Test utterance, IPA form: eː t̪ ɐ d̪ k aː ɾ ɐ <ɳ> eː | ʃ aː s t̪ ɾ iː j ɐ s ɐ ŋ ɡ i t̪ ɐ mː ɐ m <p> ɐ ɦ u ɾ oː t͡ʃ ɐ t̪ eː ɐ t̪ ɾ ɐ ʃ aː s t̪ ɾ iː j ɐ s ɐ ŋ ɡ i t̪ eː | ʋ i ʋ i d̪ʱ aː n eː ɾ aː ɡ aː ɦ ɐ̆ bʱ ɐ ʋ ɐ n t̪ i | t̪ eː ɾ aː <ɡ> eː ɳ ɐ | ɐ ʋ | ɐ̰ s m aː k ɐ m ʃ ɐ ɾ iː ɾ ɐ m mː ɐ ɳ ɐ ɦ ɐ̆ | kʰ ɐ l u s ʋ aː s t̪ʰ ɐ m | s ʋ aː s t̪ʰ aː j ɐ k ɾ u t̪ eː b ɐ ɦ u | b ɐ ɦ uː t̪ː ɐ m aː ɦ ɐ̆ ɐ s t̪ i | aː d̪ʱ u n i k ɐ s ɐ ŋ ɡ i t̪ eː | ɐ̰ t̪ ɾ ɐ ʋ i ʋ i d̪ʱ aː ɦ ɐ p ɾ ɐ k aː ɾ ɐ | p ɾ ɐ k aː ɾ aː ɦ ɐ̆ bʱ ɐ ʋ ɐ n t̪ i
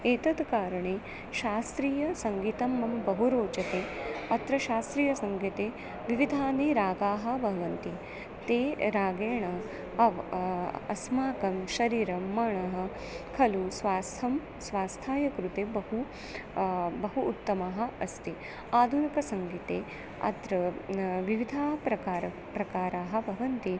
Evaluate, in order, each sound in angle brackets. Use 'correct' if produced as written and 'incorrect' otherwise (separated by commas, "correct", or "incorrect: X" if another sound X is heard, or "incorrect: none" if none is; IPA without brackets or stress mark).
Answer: correct, incorrect: b, correct